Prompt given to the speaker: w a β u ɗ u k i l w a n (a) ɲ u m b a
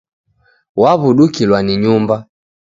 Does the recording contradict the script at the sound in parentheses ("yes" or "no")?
yes